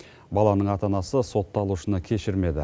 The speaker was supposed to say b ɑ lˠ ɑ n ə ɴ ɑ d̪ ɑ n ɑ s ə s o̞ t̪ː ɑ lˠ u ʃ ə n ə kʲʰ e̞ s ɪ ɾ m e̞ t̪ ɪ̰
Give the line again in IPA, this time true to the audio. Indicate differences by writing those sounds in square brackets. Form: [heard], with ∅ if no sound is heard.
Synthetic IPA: b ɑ lˠ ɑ n ə ɴ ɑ [t̪] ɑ n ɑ s ə s o̞ t̪ː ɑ lˠ u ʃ ə n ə kʲʰ e̞ [ʃ] ɪ ɾ m e̞ [d̪] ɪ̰